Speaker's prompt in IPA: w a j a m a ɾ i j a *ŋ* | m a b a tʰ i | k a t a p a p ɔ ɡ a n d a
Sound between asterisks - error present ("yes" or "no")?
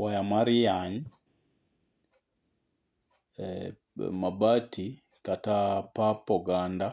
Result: yes